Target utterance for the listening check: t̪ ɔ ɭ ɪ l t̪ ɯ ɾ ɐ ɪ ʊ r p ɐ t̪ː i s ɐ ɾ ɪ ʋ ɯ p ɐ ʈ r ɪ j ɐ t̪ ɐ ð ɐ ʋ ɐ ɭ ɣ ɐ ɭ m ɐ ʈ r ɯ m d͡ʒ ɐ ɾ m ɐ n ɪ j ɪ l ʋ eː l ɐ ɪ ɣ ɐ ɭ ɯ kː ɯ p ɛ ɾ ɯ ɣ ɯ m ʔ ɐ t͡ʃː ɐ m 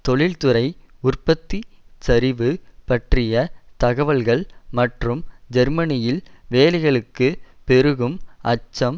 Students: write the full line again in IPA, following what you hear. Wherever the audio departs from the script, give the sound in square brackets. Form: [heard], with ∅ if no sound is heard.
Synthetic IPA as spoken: t̪ ɔ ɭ ɪ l t̪ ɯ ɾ ɐ ɪ ʊ r p ɐ t̪ː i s ɐ ɾ ɪ ʋ ɯ p ɐ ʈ r ɪ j ɐ t̪ ɐ [ɣ] ɐ ʋ ɐ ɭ ɣ ɐ ɭ m ɐ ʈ r ɯ m d͡ʒ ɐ ɾ m ɐ n ɪ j ɪ l ʋ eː l ɐ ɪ ɣ ɐ ɭ ɯ kː ɯ p ɛ ɾ ɯ ɣ ɯ m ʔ ɐ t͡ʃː ɐ m